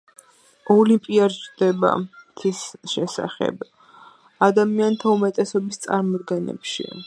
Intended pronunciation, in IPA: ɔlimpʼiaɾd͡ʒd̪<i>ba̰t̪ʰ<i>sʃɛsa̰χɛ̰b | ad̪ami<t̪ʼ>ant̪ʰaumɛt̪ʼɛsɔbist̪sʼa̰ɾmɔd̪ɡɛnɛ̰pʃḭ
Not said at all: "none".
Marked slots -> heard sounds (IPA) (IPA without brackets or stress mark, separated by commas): ɛ, i, none